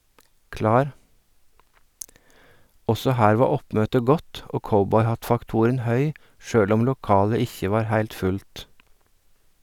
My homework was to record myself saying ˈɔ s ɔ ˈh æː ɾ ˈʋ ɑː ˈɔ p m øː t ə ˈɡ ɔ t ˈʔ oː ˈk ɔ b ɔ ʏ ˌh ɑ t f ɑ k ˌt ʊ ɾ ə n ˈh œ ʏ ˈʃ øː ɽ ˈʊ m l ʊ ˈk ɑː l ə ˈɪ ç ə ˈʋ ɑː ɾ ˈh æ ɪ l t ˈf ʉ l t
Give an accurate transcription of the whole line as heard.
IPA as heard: ˈɔ s ɔ ˈh æː ɾ ˈʋ ɑː ˈɔ p m øː t ə ˈɡ ɔ t ˈʔ oː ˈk ɔ b ɔ ʏ ˌh ɑ t f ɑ k ˌt ʊ ɾ ə n ˈh œ ʏ ˈʃ øː ɽ ˈʊ m l ʊ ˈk ɑː l ə ˈɪ ç ə ˈʋ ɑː ɾ ˈh æ ɪ l t ˈf ʉ l t